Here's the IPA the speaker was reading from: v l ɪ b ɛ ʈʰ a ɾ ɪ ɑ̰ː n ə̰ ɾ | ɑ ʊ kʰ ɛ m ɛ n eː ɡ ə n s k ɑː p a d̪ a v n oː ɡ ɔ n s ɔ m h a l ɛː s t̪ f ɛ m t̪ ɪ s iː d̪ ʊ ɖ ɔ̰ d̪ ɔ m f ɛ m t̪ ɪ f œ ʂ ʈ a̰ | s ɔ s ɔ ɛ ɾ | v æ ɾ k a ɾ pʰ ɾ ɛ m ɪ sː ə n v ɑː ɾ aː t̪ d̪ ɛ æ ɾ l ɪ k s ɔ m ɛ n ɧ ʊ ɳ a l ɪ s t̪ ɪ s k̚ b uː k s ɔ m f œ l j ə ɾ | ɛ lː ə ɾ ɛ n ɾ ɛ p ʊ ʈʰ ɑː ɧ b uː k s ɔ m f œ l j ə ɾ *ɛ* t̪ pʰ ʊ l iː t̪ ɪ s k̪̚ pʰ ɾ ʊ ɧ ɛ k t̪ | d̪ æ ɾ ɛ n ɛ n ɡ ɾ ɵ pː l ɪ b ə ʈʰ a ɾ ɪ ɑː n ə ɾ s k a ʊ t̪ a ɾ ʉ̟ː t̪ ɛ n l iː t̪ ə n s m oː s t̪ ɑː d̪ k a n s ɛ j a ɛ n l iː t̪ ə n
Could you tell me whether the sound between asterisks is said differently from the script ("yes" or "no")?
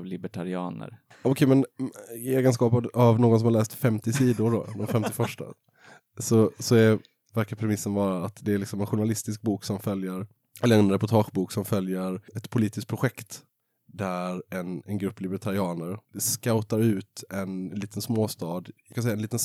no